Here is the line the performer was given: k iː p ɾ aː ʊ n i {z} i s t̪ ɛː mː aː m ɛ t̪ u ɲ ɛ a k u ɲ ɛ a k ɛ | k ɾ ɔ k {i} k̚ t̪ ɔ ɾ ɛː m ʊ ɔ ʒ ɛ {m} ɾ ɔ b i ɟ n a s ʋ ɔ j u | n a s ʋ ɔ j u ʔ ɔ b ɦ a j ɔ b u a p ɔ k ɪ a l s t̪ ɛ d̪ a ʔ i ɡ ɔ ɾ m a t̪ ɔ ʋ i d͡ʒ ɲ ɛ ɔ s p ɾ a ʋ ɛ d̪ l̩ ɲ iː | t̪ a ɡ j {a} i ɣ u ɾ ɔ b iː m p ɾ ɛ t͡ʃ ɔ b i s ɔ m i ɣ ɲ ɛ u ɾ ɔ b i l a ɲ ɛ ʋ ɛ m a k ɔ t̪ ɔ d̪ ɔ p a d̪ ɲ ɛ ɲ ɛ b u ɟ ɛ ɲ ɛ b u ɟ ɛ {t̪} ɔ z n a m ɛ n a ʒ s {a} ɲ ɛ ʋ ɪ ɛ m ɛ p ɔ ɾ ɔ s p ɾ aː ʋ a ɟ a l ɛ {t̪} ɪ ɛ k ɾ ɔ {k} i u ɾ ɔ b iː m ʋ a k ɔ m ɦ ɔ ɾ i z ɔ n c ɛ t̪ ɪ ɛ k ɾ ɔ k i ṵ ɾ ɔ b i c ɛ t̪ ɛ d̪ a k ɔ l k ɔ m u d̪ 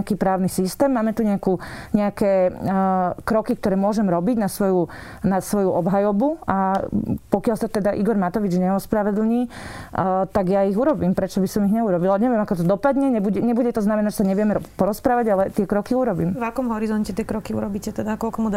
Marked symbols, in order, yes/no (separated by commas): no, yes, yes, yes, yes, yes, yes, yes